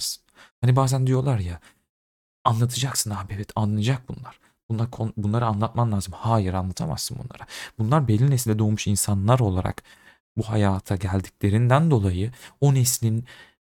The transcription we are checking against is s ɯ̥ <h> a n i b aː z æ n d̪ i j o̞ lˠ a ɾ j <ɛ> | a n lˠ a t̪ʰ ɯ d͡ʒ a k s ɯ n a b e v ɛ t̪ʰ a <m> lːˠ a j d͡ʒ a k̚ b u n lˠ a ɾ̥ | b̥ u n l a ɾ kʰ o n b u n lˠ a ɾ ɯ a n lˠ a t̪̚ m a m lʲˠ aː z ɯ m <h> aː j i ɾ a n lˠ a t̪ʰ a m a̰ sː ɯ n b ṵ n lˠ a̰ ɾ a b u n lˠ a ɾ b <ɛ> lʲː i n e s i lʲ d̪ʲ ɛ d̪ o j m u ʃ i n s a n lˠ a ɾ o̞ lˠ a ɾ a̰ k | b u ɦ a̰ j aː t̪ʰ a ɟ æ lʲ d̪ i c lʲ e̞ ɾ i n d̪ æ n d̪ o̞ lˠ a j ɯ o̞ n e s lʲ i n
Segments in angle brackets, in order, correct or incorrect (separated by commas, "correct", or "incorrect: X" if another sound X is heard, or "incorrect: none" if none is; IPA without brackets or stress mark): correct, incorrect: a, incorrect: n, correct, incorrect: e